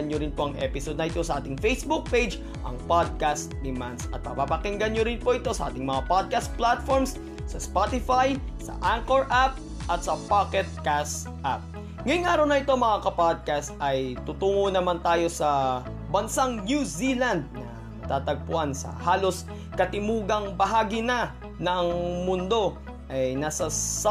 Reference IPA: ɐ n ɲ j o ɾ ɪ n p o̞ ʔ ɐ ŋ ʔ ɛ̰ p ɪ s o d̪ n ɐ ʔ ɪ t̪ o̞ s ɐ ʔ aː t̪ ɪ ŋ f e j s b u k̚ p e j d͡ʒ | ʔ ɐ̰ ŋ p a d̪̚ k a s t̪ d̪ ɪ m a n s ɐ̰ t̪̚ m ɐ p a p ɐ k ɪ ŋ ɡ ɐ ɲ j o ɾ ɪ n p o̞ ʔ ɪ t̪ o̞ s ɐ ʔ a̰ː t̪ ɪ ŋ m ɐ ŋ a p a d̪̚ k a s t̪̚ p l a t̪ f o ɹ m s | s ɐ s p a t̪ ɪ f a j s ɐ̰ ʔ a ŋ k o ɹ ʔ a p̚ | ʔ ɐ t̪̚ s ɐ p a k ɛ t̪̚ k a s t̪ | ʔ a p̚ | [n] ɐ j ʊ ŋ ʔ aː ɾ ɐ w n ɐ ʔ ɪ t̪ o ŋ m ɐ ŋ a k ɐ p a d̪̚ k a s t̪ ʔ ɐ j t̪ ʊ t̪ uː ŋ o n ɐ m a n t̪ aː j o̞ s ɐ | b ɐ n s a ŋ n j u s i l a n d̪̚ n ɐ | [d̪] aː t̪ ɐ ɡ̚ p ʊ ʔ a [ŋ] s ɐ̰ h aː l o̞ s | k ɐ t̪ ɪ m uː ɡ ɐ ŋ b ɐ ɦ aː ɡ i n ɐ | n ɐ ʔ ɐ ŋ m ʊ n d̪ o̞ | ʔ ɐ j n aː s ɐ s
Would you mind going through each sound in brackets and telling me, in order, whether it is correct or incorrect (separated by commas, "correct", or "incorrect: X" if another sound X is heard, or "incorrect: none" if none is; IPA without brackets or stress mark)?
incorrect: ŋ, incorrect: t̪, incorrect: n